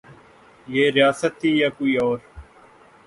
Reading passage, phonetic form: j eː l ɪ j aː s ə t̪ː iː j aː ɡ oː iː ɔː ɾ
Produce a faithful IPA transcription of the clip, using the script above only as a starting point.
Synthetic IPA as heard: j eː ɾ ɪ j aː s ə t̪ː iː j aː k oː iː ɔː ɾ